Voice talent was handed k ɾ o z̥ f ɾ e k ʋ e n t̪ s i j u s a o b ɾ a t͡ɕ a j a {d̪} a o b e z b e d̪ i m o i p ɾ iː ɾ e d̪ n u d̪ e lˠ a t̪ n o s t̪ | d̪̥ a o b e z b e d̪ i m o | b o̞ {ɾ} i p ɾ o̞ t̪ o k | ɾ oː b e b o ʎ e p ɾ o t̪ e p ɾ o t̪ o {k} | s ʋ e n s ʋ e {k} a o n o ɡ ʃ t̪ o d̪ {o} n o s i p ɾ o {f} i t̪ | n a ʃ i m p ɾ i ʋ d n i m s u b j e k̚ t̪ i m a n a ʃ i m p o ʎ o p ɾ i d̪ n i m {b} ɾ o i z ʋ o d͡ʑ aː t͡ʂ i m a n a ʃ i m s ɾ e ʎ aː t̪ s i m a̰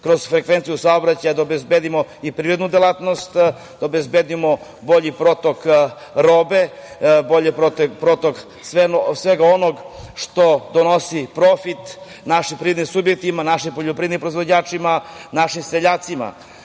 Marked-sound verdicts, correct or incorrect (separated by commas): correct, incorrect, correct, incorrect, correct, correct, incorrect